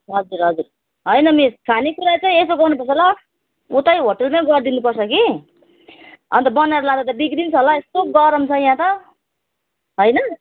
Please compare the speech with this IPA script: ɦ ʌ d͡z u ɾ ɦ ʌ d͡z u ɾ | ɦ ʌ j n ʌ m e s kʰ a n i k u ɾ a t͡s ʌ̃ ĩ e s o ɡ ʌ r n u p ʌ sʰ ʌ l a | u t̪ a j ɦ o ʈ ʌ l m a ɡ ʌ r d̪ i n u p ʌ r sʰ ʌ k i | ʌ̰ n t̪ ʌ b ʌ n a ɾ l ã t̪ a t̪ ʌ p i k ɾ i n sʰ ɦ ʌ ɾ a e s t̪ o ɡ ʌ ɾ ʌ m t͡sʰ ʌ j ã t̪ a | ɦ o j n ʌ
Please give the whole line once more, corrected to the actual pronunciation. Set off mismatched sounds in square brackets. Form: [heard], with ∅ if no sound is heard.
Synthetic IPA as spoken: ɦ ʌ d͡z u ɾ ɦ ʌ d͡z u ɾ | ɦ ʌ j n ʌ m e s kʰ a n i k u ɾ a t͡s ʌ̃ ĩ e s o ɡ ʌ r n u p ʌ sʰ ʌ l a | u t̪ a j ɦ o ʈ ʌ l m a ɡ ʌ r d̪ i n u p ʌ r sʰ ʌ k i | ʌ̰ n t̪ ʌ b ʌ n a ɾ l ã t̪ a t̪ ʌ [b] i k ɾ i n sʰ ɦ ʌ [l] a e s t̪ o ɡ ʌ ɾ ʌ m t͡sʰ ʌ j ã t̪ [ʌ] | ɦ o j n ʌ